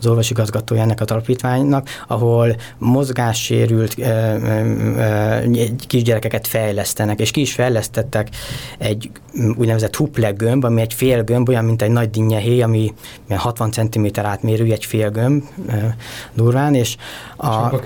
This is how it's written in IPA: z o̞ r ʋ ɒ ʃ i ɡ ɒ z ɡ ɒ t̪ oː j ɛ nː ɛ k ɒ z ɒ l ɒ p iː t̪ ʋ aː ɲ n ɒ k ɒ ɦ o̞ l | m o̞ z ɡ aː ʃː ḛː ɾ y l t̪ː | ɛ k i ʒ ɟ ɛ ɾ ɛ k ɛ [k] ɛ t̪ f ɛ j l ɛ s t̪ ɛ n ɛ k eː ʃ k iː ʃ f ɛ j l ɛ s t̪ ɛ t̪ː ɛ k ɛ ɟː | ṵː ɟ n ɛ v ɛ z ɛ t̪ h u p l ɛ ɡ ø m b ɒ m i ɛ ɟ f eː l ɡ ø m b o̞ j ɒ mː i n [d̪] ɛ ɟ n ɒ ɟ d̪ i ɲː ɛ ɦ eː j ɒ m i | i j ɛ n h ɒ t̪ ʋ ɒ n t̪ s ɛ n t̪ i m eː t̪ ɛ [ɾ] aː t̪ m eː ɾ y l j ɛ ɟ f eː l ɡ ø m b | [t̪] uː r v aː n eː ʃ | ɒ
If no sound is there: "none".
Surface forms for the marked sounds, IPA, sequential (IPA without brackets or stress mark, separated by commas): k, t̪, ɾ, d̪